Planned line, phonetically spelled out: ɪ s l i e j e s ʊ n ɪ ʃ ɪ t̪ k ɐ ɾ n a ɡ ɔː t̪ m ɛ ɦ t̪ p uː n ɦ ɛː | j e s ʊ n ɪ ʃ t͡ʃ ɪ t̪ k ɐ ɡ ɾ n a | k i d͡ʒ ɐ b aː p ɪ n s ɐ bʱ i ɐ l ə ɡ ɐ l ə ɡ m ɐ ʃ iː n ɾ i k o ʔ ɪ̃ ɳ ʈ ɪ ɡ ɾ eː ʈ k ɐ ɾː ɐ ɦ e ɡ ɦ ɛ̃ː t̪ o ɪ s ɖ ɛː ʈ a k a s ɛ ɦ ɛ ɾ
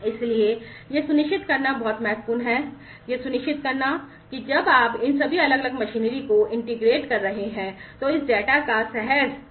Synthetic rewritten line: ɪ s l i e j e s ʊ n ɪ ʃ ɪ t̪ k ɐ ɾ n a b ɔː t̪ m ɛ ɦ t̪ p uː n ɦ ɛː | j e s ʊ n ɪ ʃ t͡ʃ ɪ t̪ k ɐ ɾ n a | k i d͡ʒ ɐ b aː p ɪ n s ɐ bʱ i ɐ l ə ɡ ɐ l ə ɡ m ɐ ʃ iː n ɾ i k o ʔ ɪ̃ ɳ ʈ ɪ ɡ ɾ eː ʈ k ɐ ɾː ɐ ɦ e ɦ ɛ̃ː t̪ o ɪ s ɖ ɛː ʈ a k a s ɛ ɦ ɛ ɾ